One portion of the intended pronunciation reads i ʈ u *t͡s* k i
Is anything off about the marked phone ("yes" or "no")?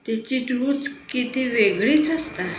no